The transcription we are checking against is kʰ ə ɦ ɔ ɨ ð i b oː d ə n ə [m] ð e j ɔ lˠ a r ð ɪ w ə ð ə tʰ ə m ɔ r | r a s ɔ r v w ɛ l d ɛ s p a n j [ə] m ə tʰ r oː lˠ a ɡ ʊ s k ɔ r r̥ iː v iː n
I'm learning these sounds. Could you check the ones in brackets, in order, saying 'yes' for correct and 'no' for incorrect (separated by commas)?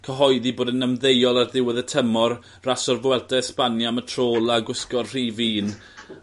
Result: yes, no